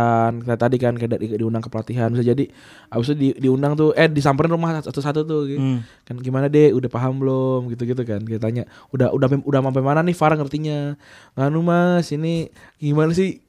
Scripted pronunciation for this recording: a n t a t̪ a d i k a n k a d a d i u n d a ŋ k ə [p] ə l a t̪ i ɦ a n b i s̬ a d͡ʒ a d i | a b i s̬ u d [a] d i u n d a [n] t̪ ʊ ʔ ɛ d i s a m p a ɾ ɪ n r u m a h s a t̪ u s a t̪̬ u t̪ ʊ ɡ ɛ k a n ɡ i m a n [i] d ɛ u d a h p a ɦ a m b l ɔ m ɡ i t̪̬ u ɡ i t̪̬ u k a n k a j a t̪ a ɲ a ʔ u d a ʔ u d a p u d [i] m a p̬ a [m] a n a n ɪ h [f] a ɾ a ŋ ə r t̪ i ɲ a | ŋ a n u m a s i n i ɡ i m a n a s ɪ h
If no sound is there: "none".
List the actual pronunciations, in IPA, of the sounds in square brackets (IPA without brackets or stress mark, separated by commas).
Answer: p, i, ŋ, a, a, m, f